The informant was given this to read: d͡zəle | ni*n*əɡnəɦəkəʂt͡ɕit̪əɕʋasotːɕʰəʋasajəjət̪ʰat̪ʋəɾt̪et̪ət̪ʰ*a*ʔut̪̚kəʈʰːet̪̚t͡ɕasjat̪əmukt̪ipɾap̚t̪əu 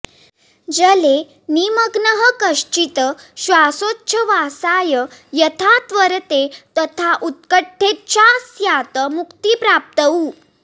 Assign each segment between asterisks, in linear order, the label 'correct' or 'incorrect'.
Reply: incorrect: m, correct

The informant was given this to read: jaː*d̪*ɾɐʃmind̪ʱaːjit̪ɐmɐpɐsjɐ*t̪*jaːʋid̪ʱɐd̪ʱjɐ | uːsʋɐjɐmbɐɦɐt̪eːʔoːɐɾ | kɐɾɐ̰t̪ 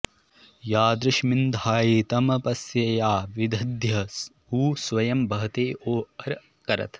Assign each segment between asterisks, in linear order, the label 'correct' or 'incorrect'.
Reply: correct, incorrect: none

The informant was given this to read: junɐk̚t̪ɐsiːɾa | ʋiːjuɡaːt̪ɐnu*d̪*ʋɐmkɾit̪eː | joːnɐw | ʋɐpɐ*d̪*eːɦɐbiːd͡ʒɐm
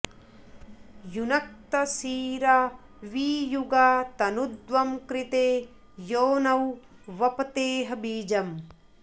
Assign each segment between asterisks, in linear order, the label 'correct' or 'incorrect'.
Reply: correct, incorrect: t̪

